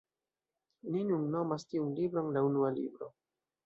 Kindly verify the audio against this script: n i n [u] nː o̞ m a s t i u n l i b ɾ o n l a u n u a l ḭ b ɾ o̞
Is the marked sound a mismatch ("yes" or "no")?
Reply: no